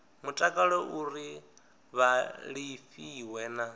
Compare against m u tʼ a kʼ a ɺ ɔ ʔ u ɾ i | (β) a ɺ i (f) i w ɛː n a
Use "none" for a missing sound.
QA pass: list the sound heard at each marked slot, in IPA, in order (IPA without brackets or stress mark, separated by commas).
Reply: β, f